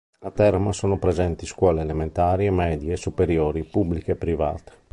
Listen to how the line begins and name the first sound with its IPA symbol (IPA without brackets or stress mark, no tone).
a